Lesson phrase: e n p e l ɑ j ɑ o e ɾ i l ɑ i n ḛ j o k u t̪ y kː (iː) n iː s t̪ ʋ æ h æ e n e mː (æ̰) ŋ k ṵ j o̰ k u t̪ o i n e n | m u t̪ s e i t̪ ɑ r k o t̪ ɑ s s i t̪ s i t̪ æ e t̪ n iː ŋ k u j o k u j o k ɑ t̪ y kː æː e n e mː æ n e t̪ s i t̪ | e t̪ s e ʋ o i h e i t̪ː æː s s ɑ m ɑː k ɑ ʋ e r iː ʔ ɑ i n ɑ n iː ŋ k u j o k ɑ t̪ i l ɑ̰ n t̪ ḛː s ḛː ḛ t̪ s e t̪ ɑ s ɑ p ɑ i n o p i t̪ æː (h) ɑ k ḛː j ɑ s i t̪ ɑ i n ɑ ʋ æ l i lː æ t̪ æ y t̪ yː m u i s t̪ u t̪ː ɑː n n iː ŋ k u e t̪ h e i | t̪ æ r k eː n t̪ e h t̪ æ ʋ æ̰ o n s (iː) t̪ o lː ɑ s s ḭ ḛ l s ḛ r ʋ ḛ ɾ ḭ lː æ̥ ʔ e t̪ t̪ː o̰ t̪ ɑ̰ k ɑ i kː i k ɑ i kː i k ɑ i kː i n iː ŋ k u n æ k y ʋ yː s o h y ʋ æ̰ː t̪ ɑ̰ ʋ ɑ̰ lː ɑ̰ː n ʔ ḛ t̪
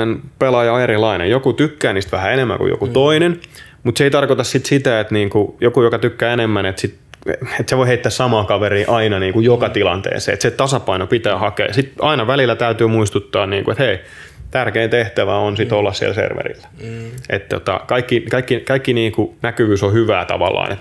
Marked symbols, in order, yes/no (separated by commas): no, yes, yes, no